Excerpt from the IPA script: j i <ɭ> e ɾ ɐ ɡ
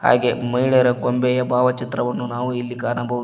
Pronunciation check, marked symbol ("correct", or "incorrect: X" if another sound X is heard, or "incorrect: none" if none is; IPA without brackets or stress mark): correct